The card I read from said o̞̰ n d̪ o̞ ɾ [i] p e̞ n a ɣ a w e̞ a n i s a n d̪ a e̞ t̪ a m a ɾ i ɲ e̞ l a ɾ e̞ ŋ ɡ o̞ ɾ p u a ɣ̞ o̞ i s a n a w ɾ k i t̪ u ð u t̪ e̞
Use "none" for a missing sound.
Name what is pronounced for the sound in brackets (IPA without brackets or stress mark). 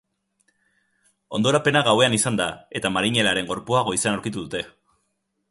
a